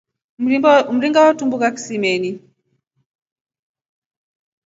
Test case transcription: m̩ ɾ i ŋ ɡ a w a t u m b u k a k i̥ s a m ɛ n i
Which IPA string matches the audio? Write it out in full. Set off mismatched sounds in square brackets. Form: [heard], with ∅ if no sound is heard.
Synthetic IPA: m̩ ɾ i ŋ ɡ a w a t u m b u k a k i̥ s [i] m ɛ n i

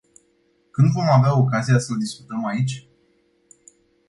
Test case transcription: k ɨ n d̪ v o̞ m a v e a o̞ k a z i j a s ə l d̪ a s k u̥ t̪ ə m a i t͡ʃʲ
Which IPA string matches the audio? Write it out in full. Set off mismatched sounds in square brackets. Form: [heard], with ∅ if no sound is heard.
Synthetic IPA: k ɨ n d̪ v o̞ m a v e a o̞ k a z i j a s ə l d̪ [i] s k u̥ t̪ ə m a i t͡ʃʲ

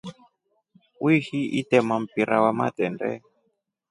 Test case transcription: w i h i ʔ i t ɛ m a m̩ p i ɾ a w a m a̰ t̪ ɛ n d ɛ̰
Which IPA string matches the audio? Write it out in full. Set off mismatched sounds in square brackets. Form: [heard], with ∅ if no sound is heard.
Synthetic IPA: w i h i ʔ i t ɛ m a m̩ p i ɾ a w a m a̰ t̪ ɛ n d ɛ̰

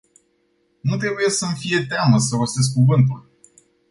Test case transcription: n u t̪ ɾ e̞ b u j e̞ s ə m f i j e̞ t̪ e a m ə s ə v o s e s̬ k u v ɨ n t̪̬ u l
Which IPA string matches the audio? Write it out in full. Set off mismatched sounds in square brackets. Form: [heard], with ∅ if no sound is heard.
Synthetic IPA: n u t̪ ɾ e̞ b u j e̞ s ə m f i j e̞ t̪ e a m ə s ə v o s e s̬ k u v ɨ n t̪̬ u l

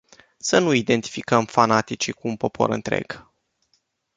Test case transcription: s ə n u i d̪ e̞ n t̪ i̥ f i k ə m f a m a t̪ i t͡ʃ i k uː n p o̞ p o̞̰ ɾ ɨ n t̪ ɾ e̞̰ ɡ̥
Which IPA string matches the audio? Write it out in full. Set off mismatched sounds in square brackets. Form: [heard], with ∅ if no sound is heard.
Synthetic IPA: s ə n u i d̪ e̞ n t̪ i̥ f i k ə m f a [n] a t̪ i t͡ʃ i k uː n p o̞ p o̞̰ ɾ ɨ n t̪ ɾ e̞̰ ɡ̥

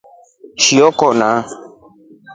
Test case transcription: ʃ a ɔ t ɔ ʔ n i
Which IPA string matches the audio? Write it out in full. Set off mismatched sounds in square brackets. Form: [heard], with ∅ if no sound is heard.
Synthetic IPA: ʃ [i] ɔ [k] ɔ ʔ n [a]

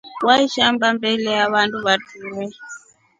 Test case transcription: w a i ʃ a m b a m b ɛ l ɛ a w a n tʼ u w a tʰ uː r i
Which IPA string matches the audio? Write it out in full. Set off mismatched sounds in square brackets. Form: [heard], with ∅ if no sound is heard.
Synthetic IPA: w a i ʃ a m b a m b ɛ l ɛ a [β] a n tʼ u [β] a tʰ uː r [ɛ]

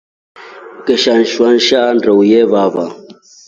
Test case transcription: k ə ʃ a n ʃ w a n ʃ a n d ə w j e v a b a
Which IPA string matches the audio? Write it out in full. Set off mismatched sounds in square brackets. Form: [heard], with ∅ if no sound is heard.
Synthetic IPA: k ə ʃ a n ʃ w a n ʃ a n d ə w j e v a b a

